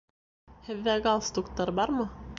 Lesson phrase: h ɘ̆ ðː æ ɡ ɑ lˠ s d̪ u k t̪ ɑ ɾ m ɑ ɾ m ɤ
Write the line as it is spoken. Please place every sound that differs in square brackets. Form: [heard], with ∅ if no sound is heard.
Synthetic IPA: h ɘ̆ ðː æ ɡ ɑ lˠ s [t̪] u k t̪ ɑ ɾ [b] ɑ ɾ m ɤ